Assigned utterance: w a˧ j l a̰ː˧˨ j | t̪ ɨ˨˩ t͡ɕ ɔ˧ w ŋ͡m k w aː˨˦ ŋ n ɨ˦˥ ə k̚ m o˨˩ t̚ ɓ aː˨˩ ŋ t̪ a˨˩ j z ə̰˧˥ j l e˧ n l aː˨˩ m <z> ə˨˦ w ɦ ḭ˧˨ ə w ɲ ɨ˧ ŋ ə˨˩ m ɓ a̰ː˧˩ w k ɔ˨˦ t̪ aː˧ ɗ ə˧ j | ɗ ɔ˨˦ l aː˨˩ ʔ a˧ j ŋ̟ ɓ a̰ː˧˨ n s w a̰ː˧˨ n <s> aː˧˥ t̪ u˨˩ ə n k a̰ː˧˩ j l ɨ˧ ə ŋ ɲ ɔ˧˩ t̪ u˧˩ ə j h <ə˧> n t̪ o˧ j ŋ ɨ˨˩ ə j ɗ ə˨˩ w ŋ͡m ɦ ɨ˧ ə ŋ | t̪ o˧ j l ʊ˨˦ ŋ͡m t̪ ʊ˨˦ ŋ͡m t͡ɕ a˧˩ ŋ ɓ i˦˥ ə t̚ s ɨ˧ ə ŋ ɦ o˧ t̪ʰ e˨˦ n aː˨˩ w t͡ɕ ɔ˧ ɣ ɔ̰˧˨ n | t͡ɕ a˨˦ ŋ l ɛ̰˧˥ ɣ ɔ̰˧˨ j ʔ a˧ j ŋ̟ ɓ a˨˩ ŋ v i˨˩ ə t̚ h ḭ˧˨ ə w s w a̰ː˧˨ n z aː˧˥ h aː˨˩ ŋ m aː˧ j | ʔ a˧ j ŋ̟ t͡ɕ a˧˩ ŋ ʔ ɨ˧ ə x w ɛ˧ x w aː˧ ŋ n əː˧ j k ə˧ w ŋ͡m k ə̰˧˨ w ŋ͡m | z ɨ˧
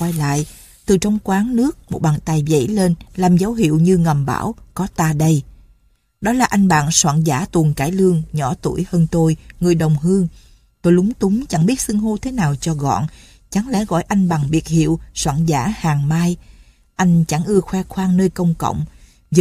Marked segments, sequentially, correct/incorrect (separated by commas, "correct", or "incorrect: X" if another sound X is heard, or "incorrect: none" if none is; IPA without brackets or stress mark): correct, incorrect: z, incorrect: əː˧